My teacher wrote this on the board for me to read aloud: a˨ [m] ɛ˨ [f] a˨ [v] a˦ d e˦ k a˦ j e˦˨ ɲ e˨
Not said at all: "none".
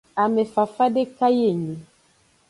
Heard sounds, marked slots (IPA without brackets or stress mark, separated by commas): m, f, f